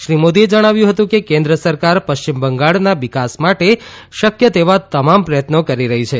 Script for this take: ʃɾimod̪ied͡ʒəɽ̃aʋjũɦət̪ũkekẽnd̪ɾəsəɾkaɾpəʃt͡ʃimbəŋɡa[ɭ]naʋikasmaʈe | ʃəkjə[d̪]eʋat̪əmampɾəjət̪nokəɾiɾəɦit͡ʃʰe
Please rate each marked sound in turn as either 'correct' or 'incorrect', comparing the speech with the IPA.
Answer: correct, incorrect

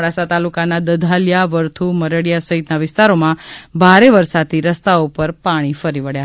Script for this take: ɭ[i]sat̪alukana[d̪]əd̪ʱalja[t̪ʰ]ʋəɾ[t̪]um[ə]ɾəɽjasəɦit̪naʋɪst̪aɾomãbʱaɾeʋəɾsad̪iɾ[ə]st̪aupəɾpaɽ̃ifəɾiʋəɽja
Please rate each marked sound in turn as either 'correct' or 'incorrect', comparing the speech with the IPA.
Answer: incorrect, correct, incorrect, incorrect, correct, correct

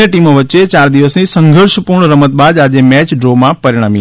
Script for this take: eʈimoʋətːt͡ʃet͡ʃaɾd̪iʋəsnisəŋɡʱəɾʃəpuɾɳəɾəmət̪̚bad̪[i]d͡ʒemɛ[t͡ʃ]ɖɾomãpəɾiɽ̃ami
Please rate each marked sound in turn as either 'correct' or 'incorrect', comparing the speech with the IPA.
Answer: incorrect, correct

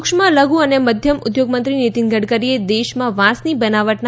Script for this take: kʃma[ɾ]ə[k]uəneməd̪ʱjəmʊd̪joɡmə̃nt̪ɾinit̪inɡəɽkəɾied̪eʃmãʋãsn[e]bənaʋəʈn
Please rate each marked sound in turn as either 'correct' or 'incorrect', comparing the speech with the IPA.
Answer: incorrect, incorrect, incorrect

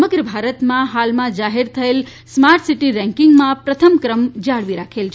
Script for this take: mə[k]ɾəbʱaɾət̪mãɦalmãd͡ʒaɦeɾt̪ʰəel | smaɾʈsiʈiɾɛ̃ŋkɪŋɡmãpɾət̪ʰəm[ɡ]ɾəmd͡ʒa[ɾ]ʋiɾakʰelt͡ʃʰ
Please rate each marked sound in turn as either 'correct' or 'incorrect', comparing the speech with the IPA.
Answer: incorrect, incorrect, incorrect

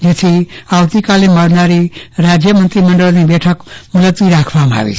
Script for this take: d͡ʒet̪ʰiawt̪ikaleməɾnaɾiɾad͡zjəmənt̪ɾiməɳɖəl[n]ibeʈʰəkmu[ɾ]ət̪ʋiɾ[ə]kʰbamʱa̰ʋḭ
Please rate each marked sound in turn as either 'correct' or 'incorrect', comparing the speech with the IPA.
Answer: correct, incorrect, incorrect

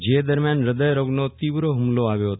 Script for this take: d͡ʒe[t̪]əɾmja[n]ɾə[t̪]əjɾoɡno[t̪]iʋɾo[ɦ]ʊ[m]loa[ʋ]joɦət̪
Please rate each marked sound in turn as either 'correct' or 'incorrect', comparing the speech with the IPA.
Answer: incorrect, correct, incorrect, correct, correct, correct, correct

